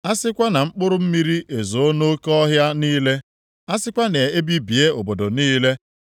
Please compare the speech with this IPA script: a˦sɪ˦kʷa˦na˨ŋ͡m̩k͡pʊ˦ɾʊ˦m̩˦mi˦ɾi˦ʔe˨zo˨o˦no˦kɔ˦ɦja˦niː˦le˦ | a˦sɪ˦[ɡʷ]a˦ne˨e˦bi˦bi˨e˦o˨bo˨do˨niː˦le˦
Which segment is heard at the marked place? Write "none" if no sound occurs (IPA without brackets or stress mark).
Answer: kʷ